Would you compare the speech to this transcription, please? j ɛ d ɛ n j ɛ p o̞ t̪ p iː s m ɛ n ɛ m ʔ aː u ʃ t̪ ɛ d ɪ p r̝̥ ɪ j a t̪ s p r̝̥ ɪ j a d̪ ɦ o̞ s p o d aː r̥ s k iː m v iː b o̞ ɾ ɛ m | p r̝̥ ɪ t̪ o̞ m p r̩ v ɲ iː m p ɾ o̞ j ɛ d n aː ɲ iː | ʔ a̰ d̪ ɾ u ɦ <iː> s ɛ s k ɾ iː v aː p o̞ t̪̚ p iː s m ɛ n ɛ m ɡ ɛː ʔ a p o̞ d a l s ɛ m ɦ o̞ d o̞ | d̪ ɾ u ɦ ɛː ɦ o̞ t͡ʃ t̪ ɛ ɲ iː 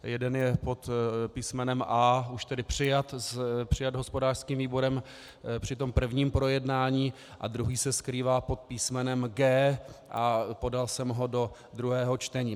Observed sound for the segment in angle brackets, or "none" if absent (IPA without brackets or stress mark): iː